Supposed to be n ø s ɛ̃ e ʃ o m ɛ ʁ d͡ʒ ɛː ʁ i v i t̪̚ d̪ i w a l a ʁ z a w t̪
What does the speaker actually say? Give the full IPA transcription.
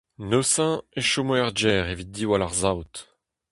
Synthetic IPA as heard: n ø s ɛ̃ e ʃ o m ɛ ʁ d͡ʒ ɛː ʁ e v i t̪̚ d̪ i w a l a ʁ z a w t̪